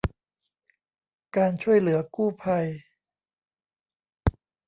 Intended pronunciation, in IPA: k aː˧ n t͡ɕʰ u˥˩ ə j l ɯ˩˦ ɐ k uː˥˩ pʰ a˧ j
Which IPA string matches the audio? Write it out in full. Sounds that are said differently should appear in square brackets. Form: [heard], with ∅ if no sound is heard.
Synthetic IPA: k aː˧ n t͡ɕʰ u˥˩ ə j l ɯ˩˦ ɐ k uː˥˩ pʰ a˧ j